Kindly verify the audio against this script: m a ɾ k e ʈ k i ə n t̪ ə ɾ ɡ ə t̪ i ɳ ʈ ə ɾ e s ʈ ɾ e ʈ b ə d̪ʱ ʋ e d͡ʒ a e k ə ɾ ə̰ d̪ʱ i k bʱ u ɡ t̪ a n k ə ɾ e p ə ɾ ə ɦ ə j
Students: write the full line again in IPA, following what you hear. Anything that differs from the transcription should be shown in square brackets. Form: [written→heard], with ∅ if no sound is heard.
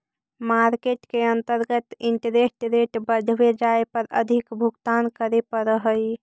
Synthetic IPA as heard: m a ɾ k e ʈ k [i→e] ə n t̪ ə ɾ ɡ ə t̪ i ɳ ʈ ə ɾ e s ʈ ɾ e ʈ b ə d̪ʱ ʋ e d͡ʒ a e [k→p] ə ɾ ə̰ d̪ʱ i k bʱ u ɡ t̪ a n k ə ɾ e p ə ɾ ə ɦ ə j